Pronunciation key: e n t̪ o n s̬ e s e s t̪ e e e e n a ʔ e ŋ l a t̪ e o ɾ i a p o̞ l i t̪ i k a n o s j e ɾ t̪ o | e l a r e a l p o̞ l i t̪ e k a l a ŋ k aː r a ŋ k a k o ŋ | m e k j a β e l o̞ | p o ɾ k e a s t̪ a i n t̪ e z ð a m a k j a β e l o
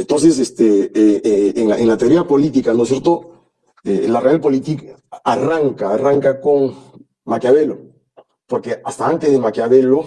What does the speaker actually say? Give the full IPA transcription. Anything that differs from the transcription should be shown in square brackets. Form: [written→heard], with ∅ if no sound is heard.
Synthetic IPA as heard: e n t̪ o n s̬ e s e s t̪ e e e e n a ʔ e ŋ l a t̪ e o ɾ i a p o̞ l i t̪ i k a n o s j e ɾ t̪ o | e l a r e a l p o̞ l i t̪ [e→i] k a [l→r] a ŋ k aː r a ŋ k a k o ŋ | m [e→a] k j a β e l o̞ | p o ɾ k e a s t̪ a [i→a] n t̪ e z ð [a→e] m a k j a β e l o